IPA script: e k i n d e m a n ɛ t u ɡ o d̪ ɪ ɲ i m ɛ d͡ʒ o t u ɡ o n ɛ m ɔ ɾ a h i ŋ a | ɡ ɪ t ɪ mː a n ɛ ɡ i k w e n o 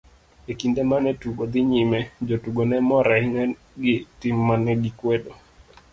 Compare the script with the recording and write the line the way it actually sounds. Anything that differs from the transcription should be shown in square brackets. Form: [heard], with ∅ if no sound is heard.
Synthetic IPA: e k i n d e m a n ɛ t u ɡ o d̪ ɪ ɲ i m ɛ d͡ʒ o t u ɡ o n ɛ m ɔ ɾ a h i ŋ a | ɡ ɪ t ɪ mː a n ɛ ɡ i k w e [d] o